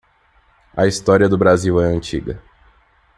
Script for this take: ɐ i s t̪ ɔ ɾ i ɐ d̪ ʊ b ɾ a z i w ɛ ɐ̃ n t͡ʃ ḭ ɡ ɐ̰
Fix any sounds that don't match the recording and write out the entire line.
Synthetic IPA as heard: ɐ i s t̪ ɔ ɾ i ɐ d̪ ʊ b ɾ a z i w ɛ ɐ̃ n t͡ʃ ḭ ɡ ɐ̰